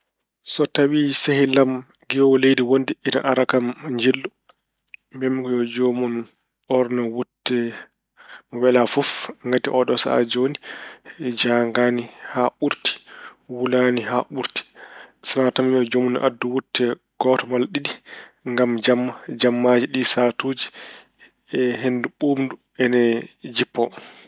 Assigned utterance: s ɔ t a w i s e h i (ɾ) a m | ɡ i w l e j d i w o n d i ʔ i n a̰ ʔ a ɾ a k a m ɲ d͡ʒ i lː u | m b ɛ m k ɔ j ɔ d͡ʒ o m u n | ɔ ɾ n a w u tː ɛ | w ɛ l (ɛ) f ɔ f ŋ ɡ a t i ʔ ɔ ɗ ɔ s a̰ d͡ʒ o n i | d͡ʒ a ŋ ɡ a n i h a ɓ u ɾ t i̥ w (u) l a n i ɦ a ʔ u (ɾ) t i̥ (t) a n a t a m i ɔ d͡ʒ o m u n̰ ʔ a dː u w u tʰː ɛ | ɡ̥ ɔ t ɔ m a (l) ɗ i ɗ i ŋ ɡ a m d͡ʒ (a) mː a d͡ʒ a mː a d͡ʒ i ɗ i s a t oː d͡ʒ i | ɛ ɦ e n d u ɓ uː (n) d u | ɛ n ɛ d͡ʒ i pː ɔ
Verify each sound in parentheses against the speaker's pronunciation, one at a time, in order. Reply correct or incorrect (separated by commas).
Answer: incorrect, incorrect, correct, correct, incorrect, correct, correct, incorrect